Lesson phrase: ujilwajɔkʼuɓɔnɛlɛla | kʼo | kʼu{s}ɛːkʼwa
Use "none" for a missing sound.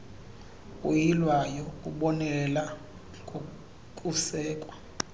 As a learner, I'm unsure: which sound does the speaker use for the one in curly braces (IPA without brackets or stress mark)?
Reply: s